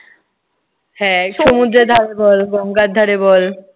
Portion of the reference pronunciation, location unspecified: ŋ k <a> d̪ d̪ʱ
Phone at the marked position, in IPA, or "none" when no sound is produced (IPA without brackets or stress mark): a